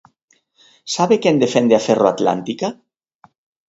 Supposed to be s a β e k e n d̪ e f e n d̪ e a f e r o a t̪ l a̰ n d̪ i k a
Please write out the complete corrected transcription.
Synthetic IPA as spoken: s a β e k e n d̪ e f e n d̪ e a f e r o a t̪ l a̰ n t̪ i k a